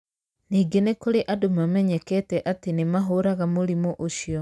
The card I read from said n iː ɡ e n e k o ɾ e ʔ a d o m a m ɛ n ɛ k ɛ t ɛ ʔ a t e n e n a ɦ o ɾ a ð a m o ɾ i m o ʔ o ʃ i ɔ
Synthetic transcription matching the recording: n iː ɡ e n e k o ɾ e ʔ a d o m a m ɛ ɲ ɛ k ɛ t ɛ ʔ a t e n e m a ɦ o ɾ a ɣ a m o ɾ i m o ʔ o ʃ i ɔ